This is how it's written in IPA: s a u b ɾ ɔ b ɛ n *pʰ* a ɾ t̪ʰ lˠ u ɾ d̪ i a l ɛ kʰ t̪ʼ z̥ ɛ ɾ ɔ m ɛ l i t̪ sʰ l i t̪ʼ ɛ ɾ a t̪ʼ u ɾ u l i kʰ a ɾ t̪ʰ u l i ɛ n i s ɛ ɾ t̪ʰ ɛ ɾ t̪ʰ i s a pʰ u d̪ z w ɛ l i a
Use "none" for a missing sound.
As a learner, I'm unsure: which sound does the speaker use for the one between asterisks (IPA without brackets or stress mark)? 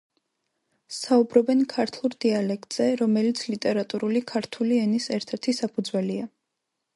kʰ